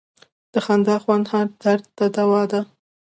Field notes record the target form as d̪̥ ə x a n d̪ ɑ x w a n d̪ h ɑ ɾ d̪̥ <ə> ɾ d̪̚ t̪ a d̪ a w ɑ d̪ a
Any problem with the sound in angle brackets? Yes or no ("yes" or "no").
yes